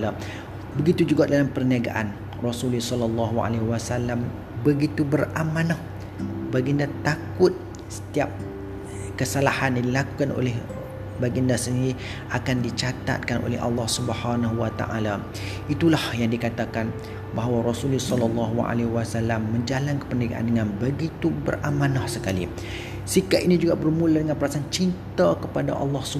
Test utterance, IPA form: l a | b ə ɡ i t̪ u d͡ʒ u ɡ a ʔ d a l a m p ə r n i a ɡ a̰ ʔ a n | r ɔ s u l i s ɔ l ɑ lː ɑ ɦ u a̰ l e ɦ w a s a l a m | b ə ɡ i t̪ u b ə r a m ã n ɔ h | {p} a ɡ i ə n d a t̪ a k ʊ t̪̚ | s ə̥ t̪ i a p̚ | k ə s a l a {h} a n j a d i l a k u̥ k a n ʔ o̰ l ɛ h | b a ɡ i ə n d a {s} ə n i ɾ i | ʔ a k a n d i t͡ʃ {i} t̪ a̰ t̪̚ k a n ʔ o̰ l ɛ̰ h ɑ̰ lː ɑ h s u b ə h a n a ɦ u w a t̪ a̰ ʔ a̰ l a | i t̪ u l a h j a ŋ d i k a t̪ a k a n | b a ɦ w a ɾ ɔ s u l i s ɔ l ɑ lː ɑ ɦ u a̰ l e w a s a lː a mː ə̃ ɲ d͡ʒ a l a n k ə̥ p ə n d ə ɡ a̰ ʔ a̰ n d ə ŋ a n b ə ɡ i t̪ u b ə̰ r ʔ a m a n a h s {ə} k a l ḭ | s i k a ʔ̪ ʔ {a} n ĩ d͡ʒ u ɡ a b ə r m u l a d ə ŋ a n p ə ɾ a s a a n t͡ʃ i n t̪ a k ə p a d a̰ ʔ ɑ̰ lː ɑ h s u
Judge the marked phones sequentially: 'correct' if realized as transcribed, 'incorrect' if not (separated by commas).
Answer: incorrect, correct, correct, incorrect, correct, incorrect